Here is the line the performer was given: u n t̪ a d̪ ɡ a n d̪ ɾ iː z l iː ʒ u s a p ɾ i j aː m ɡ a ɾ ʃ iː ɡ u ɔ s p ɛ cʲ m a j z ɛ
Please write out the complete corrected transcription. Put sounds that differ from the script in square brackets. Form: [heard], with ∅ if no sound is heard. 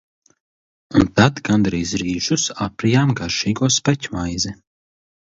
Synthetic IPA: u n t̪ a d̪ ɡ a n d̪ ɾ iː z [ɾ] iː ʒ u s a p ɾ i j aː m ɡ a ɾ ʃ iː ɡ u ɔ s p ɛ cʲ m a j z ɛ